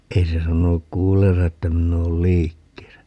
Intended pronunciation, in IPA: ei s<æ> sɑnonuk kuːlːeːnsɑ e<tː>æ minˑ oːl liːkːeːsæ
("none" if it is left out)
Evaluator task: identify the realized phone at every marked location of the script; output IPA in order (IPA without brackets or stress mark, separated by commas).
e, tː